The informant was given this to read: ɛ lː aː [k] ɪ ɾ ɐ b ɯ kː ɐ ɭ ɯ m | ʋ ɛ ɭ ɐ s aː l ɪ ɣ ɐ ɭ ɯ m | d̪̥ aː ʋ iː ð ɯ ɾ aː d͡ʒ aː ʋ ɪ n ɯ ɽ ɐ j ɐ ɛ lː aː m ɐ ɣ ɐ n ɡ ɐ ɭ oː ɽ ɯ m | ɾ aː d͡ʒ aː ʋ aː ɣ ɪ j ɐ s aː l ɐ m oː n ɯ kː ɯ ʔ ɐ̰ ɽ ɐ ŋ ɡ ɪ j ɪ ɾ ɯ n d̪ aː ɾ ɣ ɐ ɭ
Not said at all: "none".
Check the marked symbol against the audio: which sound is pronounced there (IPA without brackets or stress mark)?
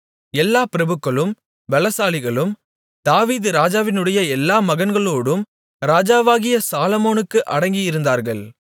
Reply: p